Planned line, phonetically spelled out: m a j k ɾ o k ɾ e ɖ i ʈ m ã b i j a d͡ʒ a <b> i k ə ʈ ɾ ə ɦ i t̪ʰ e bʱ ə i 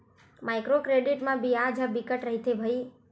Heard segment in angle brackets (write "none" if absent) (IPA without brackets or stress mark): b